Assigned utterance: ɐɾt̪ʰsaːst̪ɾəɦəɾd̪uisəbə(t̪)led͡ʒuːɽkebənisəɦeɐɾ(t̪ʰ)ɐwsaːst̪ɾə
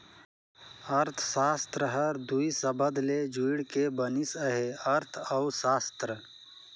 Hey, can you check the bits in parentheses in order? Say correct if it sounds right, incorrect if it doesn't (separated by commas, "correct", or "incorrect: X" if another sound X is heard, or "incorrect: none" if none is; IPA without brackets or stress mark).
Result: incorrect: d̪, correct